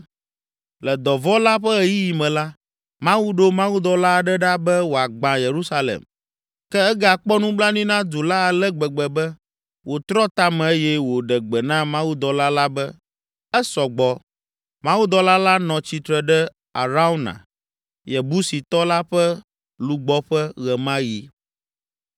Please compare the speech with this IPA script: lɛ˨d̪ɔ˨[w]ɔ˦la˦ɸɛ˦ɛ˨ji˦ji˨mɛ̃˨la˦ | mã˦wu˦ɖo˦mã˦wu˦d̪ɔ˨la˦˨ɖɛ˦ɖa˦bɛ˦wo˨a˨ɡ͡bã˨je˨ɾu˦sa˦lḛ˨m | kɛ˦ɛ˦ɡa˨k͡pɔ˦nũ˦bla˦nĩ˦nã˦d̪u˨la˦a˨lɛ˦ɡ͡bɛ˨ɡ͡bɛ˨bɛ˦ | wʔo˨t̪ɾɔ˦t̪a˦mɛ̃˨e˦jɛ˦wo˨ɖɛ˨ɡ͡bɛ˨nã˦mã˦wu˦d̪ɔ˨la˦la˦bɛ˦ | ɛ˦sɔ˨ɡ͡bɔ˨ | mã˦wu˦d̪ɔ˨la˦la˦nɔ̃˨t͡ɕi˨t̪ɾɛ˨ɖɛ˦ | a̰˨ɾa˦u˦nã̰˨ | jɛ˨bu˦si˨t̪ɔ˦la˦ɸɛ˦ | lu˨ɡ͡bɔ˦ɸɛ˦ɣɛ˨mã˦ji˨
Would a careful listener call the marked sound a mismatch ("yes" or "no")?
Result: yes